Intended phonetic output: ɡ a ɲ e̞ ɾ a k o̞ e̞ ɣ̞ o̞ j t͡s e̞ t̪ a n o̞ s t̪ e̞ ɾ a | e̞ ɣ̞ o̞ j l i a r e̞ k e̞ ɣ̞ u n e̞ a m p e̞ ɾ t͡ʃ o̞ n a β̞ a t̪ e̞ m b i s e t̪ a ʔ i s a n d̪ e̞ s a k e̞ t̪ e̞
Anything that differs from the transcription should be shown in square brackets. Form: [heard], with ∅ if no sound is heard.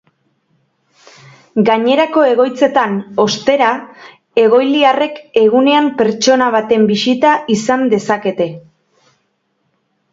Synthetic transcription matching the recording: ɡ a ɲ e̞ ɾ a k o̞ e̞ ɣ̞ o̞ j t͡s e̞ t̪ a n o̞ s t̪ e̞ ɾ a | e̞ ɣ̞ o̞ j l i a r e̞ k e̞ ɣ̞ u n e̞ a m p e̞ ɾ t͡ʃ o̞ n a β̞ a t̪ e̞ m b i s [i] t̪ a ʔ i s a n d̪ e̞ s a k e̞ t̪ e̞